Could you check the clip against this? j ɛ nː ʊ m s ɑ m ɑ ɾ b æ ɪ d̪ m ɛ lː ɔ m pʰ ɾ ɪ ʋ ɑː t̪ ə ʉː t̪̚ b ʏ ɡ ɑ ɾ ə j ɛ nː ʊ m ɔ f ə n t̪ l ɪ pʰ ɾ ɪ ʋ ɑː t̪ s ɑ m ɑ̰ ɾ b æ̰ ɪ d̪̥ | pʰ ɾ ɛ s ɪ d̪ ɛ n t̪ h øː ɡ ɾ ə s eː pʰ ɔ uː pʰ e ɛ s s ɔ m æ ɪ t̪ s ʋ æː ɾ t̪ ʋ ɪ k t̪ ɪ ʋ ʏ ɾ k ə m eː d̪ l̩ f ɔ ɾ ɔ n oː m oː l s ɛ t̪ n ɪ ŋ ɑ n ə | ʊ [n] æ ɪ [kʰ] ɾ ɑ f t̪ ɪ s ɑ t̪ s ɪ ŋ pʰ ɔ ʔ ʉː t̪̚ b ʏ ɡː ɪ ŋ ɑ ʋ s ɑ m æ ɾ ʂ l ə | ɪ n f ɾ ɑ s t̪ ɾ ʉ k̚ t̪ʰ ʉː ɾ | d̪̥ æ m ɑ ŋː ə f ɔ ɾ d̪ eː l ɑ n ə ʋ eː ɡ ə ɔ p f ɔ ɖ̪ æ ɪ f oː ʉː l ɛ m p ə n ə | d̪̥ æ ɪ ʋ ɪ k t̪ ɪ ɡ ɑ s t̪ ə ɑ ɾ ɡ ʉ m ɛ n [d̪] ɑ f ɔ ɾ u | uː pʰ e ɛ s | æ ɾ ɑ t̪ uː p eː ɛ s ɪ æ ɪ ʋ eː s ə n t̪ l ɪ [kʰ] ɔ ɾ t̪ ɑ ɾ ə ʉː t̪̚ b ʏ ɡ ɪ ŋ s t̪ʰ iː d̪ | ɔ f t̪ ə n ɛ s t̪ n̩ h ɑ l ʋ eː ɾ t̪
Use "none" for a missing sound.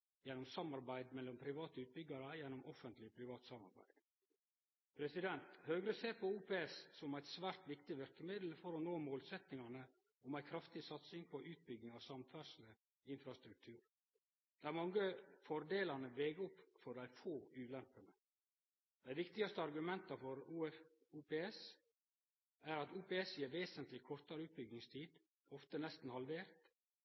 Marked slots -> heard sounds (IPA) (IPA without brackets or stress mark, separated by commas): m, kʰ, t̪, kʰ